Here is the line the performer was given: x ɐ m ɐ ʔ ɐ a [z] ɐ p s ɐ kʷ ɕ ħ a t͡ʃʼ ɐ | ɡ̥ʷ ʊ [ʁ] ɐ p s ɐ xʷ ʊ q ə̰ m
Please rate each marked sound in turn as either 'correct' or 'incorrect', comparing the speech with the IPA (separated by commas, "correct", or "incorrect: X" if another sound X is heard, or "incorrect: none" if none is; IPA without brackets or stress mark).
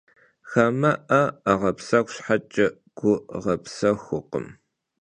incorrect: ʁ, correct